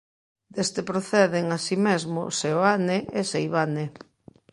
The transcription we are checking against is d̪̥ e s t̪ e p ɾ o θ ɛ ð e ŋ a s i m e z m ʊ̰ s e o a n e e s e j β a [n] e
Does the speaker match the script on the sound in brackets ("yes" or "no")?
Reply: yes